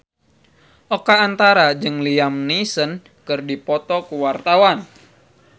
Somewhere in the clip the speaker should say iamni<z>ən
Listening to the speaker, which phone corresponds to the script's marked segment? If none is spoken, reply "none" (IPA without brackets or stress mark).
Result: s